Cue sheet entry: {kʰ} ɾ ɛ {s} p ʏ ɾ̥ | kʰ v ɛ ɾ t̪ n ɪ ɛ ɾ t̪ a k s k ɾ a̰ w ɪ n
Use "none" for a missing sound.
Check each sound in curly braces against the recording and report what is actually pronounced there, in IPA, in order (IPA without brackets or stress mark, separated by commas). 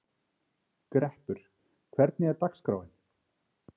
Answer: k, h